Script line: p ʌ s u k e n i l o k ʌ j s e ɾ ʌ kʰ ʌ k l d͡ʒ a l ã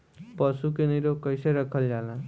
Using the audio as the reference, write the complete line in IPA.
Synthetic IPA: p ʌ s u k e n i ɾ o k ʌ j s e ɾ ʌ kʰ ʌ l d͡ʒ a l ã

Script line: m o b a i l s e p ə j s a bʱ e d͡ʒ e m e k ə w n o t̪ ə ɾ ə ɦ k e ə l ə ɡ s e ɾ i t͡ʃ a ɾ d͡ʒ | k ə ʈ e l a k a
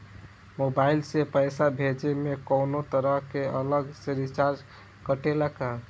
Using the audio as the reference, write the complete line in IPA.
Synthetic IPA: m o b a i l s e p ə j s a bʱ e d͡ʒ e m e k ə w n o t̪ ə ɾ ə ɦ k e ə l ə ɡ s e ɾ i t͡ʃ a ɾ d͡ʒ | k ə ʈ e l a k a

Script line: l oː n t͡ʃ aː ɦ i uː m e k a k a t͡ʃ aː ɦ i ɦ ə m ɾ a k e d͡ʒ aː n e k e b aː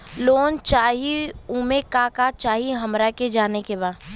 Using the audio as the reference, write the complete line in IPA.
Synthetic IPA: l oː n t͡ʃ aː ɦ i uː m e k a k a t͡ʃ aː ɦ i ɦ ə m ɾ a k e d͡ʒ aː n e k e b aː

